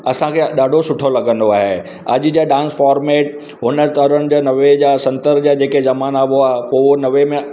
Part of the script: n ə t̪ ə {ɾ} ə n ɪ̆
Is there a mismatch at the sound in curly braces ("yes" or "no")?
no